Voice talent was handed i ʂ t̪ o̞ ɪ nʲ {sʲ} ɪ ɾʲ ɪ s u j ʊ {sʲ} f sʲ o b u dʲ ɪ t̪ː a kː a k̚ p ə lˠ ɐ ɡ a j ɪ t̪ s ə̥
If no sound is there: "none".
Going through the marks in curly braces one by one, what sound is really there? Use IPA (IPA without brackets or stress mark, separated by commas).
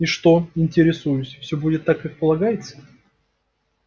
tʲ, sʲ